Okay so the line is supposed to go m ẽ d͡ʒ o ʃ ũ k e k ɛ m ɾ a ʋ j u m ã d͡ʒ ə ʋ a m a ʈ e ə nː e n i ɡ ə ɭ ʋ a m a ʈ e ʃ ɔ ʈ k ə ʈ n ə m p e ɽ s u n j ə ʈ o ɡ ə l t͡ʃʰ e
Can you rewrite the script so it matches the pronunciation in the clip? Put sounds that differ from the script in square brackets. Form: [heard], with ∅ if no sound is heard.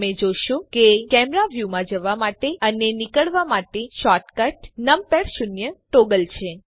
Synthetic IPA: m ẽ d͡ʒ o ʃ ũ k e k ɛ m ɾ a ʋ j u m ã d͡ʒ ə ʋ a m a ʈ e ə [n] e n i [k] ə ɭ ʋ a m a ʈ e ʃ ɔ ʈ k ə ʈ n ə m p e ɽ [ʃ] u n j ə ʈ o ɡ ə l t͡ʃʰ e